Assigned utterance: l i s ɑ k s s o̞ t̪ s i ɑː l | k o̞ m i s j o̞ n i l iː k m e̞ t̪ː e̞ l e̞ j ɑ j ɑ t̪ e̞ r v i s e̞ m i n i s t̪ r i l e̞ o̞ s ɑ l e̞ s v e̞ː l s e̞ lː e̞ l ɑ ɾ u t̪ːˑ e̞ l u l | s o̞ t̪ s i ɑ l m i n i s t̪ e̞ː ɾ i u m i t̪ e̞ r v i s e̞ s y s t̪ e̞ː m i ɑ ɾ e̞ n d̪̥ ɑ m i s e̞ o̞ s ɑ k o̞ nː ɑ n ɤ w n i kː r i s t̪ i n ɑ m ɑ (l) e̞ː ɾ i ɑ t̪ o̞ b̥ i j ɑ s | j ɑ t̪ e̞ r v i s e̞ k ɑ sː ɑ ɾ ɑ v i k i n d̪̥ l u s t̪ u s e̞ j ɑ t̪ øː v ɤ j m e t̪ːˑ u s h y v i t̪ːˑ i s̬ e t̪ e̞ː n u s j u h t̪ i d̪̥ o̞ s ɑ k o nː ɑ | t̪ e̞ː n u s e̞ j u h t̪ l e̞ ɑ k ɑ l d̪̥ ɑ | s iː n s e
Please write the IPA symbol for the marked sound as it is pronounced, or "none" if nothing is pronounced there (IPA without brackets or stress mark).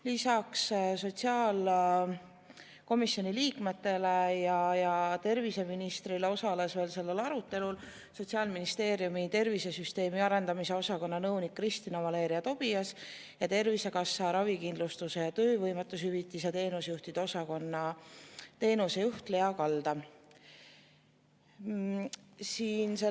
l